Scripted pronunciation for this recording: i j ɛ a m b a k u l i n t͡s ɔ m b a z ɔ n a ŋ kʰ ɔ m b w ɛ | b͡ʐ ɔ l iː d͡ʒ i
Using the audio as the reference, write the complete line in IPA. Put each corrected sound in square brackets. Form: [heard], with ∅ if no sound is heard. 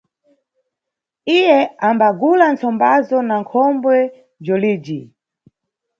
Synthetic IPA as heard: i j ɛ a m b a [ɡ] u l [a] n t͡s ɔ m b a z ɔ n a ŋ kʰ ɔ m b w ɛ | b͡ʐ ɔ l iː d͡ʒ i